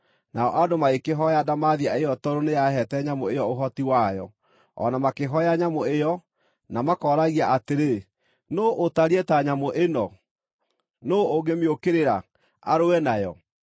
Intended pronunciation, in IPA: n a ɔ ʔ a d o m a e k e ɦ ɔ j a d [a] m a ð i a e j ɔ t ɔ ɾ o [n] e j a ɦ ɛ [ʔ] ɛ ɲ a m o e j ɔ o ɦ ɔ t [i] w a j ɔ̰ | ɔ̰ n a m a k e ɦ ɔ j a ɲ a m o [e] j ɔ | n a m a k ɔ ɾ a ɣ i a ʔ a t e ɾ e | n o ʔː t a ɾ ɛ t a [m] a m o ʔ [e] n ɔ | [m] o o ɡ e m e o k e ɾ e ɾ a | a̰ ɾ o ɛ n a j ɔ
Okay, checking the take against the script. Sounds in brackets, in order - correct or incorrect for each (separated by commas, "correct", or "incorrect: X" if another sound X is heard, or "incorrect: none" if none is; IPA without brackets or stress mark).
correct, correct, incorrect: t, correct, correct, incorrect: ɲ, correct, incorrect: n